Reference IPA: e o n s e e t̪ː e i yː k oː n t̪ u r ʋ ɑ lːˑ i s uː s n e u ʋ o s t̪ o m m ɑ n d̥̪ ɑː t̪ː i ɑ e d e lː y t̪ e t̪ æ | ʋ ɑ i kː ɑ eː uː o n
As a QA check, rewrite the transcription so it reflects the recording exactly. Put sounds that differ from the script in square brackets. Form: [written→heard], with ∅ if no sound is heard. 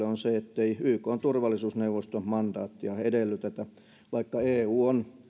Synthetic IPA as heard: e o n s e e t̪ː e i yː k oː n t̪ u r ʋ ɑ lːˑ i s uː s n e u ʋ o s t̪ o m m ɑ n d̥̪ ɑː t̪ː i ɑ e d e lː y t̪ e t̪ æ | ʋ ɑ i kː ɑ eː uː o n